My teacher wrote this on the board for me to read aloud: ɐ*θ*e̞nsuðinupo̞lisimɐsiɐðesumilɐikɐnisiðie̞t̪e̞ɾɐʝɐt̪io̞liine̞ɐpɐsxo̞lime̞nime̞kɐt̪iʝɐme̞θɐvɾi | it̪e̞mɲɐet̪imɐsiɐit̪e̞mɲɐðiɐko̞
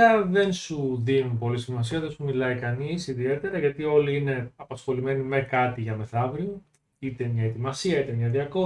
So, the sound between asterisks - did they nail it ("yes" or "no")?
no